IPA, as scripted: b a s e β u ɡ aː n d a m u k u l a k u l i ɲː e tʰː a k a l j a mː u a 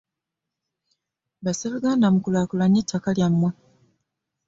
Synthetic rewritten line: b a s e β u ɡ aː n d a m u k u l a k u l a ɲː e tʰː a k a l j a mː w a